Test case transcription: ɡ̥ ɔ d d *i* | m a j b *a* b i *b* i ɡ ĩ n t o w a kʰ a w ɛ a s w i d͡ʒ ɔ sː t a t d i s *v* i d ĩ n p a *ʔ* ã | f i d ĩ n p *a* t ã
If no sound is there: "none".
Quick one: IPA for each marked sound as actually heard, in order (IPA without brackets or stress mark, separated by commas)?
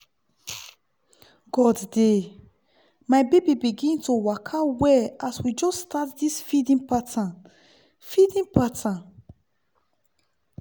e, e, b, f, t, a